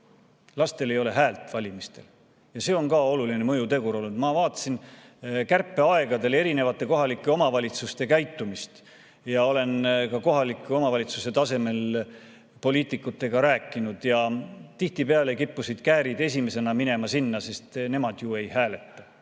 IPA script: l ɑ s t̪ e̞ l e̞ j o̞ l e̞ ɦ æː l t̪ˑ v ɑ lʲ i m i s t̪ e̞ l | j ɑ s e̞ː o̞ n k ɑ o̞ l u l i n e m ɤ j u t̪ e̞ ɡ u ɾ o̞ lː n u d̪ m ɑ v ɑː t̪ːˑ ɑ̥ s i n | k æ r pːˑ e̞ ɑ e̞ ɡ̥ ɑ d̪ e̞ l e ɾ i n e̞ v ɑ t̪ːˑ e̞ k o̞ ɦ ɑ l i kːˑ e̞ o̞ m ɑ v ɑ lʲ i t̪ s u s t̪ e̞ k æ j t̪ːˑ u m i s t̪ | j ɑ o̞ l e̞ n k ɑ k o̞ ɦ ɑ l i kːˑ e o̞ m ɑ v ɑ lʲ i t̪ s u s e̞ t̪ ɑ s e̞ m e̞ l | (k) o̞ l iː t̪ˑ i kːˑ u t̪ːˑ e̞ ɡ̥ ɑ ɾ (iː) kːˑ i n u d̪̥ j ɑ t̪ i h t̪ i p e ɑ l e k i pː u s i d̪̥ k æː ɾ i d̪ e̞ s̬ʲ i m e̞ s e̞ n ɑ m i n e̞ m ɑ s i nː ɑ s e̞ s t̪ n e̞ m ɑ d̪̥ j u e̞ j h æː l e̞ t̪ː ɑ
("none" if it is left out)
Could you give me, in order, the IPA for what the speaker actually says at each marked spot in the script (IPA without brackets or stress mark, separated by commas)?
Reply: p, æː